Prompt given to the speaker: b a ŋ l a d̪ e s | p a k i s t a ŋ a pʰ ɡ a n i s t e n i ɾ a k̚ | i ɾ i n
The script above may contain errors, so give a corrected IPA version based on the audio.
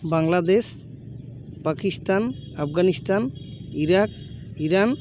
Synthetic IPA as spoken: b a ŋ l a d̪ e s | p a k i s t a n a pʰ ɡ a n i s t a n i ɾ a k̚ | i ɾ a n